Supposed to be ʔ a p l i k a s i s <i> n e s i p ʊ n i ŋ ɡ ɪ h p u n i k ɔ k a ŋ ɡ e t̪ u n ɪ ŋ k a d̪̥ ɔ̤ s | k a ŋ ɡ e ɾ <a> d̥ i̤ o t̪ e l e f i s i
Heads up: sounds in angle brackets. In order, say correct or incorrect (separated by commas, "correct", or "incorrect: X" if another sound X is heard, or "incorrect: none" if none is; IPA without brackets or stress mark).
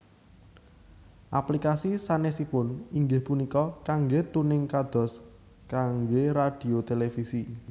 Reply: incorrect: a, correct